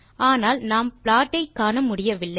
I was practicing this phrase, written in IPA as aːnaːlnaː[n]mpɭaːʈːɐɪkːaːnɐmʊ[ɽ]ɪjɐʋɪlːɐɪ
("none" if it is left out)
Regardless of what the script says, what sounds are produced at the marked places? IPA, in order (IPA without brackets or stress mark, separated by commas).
none, ɽ